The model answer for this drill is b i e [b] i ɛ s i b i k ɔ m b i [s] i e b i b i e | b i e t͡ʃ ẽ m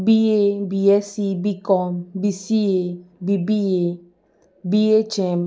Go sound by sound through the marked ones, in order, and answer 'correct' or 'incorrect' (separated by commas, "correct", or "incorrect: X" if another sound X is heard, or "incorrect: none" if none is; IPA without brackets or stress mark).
correct, correct